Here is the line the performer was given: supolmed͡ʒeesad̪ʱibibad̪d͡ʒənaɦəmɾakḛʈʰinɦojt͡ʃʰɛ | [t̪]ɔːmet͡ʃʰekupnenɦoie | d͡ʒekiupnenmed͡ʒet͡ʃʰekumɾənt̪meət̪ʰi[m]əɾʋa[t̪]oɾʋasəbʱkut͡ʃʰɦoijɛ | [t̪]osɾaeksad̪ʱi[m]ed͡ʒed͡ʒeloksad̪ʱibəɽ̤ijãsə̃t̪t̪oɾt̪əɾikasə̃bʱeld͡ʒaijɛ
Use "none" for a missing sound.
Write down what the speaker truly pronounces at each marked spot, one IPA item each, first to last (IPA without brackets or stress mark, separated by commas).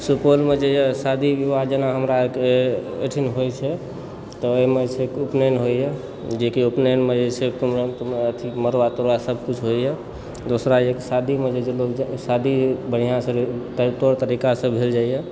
t̪, m, t̪, d̪, m